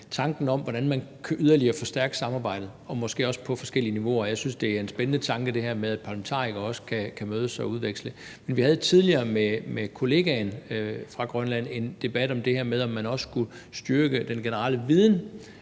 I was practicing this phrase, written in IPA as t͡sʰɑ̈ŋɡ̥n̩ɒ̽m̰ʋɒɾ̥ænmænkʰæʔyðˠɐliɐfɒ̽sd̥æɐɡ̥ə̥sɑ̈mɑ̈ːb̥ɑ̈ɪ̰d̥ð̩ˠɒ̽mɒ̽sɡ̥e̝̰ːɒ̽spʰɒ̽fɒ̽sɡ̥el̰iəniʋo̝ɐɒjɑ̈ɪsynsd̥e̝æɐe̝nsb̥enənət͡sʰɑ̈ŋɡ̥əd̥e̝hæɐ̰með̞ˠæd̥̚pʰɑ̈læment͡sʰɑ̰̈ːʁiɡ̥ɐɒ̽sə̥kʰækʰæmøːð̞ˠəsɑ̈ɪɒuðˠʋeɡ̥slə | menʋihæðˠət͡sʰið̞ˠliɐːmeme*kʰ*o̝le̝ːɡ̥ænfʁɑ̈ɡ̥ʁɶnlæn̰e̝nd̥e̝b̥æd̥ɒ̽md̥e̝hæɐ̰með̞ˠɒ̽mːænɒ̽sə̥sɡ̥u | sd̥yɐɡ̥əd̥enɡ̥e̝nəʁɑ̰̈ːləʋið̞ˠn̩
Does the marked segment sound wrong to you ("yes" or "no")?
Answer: no